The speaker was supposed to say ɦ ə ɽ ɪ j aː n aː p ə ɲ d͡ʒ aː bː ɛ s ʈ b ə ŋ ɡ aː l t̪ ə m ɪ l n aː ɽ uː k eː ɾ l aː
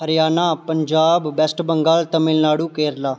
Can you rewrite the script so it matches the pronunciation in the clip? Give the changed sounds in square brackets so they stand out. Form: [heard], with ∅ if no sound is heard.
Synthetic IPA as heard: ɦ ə [ɾ] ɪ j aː n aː p ə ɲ d͡ʒ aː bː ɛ s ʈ b ə ŋ ɡ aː l t̪ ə m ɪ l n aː ɽ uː k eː ɾ l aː